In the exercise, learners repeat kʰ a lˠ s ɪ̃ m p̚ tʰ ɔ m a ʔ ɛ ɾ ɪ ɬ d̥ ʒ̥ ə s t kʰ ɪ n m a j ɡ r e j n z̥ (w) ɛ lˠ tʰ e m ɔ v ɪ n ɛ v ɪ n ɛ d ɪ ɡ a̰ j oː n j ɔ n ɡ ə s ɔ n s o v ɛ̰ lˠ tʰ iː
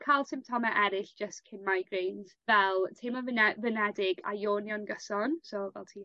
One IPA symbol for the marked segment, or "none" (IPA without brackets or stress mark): v